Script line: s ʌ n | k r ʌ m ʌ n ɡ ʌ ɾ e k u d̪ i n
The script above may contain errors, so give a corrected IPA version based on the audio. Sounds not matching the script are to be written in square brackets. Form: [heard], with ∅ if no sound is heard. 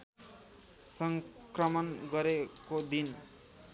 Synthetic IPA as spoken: s ʌ [ŋ] | k r ʌ m ʌ n ɡ ʌ ɾ e k [o] d̪ i n